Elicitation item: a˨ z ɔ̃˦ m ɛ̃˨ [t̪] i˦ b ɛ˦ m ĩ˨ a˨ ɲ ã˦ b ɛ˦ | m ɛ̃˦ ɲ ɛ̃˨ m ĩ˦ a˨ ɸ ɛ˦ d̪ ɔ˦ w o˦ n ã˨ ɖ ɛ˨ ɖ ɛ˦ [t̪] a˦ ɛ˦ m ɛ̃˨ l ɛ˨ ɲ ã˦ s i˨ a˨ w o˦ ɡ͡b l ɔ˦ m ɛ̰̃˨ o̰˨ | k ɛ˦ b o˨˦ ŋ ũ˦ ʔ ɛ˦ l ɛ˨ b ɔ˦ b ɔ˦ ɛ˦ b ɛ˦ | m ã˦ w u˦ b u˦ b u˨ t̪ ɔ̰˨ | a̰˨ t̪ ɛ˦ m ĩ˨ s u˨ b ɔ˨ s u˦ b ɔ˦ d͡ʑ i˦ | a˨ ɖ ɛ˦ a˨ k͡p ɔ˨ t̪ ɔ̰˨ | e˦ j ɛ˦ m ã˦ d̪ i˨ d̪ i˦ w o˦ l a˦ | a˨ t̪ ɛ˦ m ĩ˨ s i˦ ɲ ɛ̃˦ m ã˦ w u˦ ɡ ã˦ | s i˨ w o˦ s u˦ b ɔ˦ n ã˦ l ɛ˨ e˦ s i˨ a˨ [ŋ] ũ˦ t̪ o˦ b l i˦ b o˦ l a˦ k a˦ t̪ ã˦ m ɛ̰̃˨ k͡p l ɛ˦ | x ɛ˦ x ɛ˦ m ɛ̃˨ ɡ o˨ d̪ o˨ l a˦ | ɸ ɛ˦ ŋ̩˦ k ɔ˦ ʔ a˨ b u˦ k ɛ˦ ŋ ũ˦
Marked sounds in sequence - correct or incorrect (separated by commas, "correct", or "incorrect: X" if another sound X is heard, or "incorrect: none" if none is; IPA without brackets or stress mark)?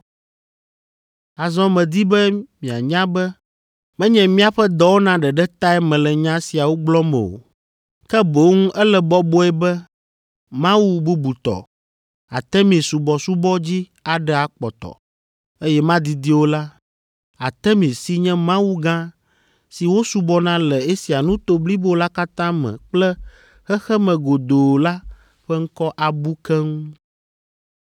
incorrect: d̪, correct, incorrect: n